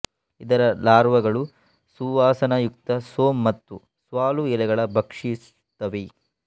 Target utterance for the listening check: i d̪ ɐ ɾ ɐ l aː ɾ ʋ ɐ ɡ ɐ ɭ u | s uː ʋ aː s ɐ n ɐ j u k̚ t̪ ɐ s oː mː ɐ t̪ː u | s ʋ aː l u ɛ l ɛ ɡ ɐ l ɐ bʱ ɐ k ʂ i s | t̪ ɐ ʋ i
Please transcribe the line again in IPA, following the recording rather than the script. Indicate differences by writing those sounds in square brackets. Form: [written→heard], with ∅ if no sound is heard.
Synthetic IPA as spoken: i d̪ ɐ ɾ ɐ l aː ɾ ʋ ɐ ɡ ɐ ɭ u | s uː ʋ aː s ɐ n ɐ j u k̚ t̪ ɐ s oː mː ɐ t̪ː u | s ʋ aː l u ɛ l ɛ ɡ ɐ [l→ɭ] ɐ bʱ ɐ k ʂ i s | t̪ ɐ ʋ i